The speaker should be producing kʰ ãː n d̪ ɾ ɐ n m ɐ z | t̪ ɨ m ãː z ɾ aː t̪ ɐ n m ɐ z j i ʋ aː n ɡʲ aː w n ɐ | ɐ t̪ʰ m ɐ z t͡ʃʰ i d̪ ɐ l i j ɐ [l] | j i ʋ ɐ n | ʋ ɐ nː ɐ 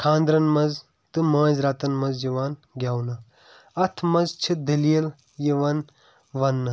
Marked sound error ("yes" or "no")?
no